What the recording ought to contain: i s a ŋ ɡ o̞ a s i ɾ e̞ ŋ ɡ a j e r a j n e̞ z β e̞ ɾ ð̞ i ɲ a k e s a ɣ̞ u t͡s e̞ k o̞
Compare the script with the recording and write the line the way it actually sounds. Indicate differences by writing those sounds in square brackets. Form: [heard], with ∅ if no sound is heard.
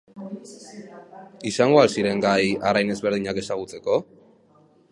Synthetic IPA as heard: i s a ŋ ɡ o̞ a s i ɾ e̞ ŋ ɡ a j [a] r a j n e̞ z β e̞ ɾ ð̞ i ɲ a k e s a ɣ̞ u t͡s e̞ k o̞